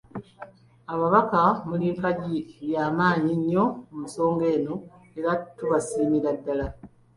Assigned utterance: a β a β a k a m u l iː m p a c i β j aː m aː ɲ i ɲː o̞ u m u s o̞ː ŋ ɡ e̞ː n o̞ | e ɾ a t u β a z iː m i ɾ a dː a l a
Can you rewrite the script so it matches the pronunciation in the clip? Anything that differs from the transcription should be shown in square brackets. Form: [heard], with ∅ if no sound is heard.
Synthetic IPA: a β a β a k a m u l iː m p a [ɟ] i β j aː m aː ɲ i ɲː o̞ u m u s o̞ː ŋ ɡ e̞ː n o̞ | e ɾ a t u β a [s] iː m i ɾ a dː a l a